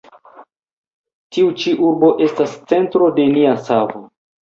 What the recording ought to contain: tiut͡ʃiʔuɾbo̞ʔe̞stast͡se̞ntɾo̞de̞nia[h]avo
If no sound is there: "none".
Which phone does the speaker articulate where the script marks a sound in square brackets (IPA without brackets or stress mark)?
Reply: s